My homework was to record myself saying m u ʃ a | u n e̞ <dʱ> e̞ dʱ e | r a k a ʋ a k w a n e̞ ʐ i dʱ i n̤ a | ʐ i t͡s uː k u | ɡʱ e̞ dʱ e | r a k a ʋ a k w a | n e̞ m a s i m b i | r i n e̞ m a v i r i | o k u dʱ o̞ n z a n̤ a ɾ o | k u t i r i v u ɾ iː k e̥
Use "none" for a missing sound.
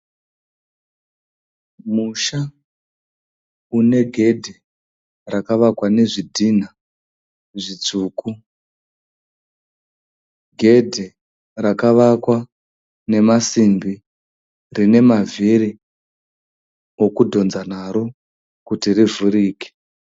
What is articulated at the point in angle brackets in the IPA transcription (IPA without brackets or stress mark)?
ɡʱ